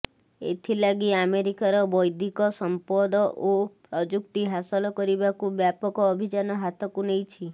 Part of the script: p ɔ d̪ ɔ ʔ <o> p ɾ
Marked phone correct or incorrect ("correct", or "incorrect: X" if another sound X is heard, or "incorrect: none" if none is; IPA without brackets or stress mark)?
correct